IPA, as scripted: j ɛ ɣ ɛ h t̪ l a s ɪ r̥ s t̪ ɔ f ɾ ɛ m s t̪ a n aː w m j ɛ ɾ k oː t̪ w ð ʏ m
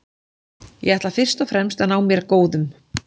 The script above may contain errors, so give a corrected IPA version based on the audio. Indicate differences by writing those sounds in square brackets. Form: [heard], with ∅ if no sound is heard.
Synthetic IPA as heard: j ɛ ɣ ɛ h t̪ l a [f] ɪ r̥ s t̪ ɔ f ɾ ɛ m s t̪ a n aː w m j ɛ ɾ k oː [∅] w ð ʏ m